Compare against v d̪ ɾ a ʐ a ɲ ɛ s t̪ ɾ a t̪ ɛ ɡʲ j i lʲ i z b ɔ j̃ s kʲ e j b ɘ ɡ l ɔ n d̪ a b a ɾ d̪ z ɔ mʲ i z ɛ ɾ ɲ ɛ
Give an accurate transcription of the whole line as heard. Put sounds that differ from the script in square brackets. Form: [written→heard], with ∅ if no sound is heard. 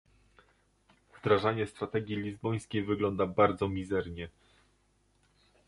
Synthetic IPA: v d̪ ɾ a ʐ a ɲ ɛ s t̪ ɾ a t̪ ɛ ɡʲ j i lʲ i z b ɔ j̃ s kʲ e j [b→v] ɘ ɡ l ɔ n d̪ a b a ɾ d̪ z ɔ mʲ i z ɛ ɾ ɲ ɛ